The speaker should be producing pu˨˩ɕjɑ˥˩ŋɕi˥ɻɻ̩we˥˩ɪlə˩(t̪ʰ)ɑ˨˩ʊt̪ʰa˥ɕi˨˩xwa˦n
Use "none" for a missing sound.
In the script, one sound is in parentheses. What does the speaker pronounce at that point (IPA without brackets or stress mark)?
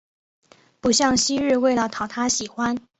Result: t̪ʰ